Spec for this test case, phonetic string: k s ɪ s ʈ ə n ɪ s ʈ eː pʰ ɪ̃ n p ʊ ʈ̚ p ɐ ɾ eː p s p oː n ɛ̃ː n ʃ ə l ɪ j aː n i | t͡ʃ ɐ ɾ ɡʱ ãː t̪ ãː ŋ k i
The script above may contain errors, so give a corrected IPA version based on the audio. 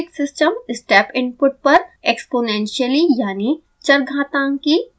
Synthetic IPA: k s ɪ s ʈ ə m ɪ s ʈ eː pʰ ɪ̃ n p ʊ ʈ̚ p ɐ ɾ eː k s p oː n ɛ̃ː n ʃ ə l i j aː n i | t͡ʃ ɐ ɾ ɡʱ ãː t̪ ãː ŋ k i